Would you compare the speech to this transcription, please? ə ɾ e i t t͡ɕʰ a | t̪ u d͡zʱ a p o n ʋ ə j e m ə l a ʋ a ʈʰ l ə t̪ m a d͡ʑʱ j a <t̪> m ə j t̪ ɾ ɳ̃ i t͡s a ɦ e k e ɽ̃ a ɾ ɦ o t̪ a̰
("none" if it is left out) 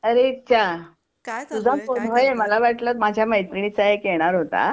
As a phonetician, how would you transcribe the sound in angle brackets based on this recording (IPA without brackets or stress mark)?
none